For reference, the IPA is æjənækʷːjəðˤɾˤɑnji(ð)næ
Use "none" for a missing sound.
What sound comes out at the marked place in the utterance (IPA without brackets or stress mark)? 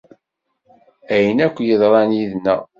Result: ð